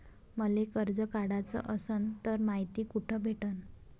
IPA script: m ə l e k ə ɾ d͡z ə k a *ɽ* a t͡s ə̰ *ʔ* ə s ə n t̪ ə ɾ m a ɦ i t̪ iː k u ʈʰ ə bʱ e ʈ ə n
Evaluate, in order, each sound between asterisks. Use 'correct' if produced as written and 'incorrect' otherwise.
correct, correct

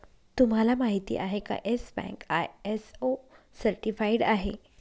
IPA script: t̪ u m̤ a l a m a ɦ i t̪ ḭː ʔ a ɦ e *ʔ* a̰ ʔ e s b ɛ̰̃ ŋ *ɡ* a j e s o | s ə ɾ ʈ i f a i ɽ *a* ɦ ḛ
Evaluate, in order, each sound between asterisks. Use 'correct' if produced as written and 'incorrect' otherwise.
incorrect: k, incorrect: k, correct

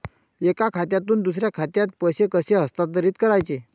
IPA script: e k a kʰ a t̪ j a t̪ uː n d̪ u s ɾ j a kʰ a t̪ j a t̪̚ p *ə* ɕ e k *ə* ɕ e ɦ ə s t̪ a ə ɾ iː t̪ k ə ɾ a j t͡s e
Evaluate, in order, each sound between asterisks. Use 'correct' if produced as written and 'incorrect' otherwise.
correct, correct

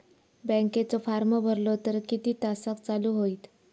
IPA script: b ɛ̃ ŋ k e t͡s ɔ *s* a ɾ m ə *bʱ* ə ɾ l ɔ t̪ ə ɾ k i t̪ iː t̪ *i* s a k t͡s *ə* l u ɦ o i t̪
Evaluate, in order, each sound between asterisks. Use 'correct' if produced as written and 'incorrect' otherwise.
incorrect: f, correct, incorrect: a, incorrect: a

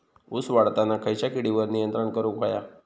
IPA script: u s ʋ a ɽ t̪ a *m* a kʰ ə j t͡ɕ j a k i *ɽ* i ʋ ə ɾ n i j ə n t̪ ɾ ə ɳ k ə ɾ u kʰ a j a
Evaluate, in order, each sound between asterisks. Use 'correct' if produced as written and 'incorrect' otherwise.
incorrect: n, correct

